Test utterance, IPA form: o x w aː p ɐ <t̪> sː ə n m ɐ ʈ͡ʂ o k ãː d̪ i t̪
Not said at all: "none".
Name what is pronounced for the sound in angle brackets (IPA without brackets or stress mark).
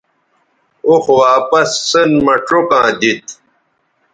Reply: none